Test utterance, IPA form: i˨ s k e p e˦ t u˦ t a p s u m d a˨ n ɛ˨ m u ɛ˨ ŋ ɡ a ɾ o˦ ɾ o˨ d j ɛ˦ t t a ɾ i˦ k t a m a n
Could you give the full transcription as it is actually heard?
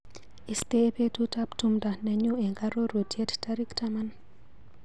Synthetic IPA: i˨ s t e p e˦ t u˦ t a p t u m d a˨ n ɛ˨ ɲ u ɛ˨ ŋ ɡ a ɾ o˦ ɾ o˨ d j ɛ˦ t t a ɾ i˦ k t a m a n